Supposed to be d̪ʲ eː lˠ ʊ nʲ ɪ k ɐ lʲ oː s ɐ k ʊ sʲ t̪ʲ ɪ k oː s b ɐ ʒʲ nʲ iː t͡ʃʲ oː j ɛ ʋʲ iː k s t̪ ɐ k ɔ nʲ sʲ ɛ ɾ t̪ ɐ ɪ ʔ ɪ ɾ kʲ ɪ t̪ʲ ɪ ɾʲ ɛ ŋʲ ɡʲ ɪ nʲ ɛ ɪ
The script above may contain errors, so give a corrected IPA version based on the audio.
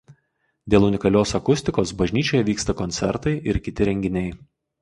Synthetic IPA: d̪ʲ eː lˠ ʊ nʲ ɪ k ɐ lʲ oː s ɐ k ʊ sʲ t̪ʲ ɪ k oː s b ɐ ʒʲ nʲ iː t͡ʃʲ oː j ɛ ʋʲ iː k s t̪ ɐ k ɔ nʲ sʲ ɛ ɾ t̪ ɐ ɪ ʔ ɪ ɾ kʲ ɪ t̪ʲ ɪ ɾʲ ɛ ŋʲ ɡʲ ɪ nʲ ɛ ɪ

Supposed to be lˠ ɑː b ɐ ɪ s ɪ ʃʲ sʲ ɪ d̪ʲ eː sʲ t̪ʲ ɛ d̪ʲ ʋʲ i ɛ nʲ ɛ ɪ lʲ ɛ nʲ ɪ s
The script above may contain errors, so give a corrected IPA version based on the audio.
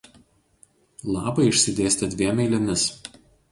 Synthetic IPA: lˠ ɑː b ɐ ɪ ɪ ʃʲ sʲ ɪ d̪ʲ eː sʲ t̪ʲ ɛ d̪ʲ ʋʲ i ɛ mʲ ɛ ɪ lʲ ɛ mʲ ɪ s

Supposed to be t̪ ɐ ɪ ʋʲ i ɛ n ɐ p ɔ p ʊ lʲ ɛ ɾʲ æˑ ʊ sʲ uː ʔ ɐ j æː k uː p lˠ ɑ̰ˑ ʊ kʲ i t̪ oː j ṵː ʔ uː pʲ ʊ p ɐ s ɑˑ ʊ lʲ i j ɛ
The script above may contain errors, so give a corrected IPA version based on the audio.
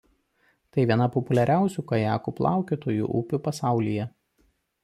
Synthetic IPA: t̪ ɐ ɪ ʋʲ i ɛ n ɐ p ɔ p ʊ lʲ ɛ ɾʲ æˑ ʊ sʲ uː k ɐ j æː k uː p lˠ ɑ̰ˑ ʊ kʲ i t̪ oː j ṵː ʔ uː pʲ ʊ p ɐ s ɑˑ ʊ lʲ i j ɛ

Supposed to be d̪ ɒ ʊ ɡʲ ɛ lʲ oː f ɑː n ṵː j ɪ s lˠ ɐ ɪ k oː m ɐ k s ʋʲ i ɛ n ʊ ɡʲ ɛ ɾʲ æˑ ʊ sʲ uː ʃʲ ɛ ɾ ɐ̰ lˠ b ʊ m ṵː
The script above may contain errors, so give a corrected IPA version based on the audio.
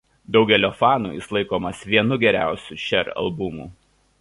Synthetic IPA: d̪ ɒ ʊ ɡʲ ɛ lʲ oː f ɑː n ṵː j ɪ s lˠ ɐ ɪ k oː m ɐ s ʋʲ i ɛ n ʊ ɡʲ ɛ ɾʲ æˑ ʊ sʲ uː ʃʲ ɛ ɾ ɐ̰ lˠ b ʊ m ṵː

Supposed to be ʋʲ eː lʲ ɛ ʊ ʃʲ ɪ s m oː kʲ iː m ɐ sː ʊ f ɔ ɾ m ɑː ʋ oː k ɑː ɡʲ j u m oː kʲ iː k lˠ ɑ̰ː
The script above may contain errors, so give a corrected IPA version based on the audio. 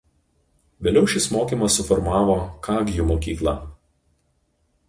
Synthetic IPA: ʋʲ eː lʲ ɛ ʊ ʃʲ ɪ s m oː kʲ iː m ɐ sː ʊ f ɔ ɾ m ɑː ʋ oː k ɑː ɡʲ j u m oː kʲ iː k lˠ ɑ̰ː

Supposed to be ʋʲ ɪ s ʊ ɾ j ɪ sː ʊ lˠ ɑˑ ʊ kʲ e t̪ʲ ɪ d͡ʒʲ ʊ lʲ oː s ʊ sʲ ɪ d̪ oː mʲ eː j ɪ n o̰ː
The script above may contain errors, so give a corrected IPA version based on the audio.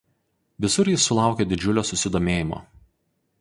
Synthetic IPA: ʋʲ ɪ s ʊ ɾ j ɪ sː ʊ lˠ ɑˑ ʊ kʲ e d̪ʲ ɪ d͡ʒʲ ʊ lʲ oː s ʊ sʲ ɪ d̪ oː mʲ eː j ɪ m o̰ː

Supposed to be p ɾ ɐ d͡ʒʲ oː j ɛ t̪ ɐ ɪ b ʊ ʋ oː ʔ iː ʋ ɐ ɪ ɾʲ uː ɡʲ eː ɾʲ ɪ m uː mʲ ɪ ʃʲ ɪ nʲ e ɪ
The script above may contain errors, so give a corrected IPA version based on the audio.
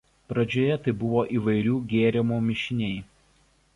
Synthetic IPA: p ɾ ɐ d͡ʒʲ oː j ɛ t̪ ɐ ɪ b ʊ ʋ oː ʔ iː ʋ ɐ ɪ ɾʲ uː ɡʲ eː ɾʲ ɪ m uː mʲ ɪ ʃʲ ɪ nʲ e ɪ

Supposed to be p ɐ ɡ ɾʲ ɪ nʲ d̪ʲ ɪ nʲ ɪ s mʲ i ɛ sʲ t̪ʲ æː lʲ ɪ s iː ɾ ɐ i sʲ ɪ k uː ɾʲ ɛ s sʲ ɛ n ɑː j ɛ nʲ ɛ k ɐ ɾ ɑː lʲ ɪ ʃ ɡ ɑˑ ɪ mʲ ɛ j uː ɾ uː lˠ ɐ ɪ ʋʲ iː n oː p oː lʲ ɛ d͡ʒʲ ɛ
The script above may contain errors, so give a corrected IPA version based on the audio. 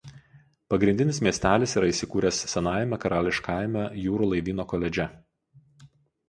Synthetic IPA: p ɐ ɡ ɾʲ ɪ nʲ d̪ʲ ɪ nʲ ɪ s mʲ i ɛ sʲ t̪ʲ æː lʲ ɪ s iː ɾ ɐ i sʲ ɪ k uː ɾʲ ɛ s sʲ ɛ n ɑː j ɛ mʲ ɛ k ɐ ɾ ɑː lʲ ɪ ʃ k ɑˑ ɪ mʲ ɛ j uː ɾ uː lˠ ɐ ɪ ʋʲ iː n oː k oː lʲ ɛ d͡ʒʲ ɛ

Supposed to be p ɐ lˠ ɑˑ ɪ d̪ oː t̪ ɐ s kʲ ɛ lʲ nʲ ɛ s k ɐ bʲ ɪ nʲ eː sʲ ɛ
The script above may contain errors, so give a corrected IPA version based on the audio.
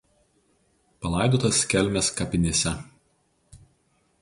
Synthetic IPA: p ɐ lˠ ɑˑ ɪ d̪ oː t̪ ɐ s kʲ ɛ lʲ mʲ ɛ s k ɐ pʲ ɪ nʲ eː sʲ ɛ

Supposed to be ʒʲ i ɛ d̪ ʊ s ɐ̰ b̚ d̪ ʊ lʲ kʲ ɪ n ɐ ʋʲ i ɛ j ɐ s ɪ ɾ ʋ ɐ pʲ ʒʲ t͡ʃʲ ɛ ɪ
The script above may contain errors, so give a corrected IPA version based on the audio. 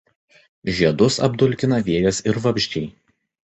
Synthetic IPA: ʒʲ i ɛ d̪ ʊ s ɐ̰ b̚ d̪ ʊ lʲ kʲ ɪ n ɐ ʋʲ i ɛ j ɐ s ɪ ɾ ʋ ɐ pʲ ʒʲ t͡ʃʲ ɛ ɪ

